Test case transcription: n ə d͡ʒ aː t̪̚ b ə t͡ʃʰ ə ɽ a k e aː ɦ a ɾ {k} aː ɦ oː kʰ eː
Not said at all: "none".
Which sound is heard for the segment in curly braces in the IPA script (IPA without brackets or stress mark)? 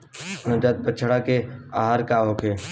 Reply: k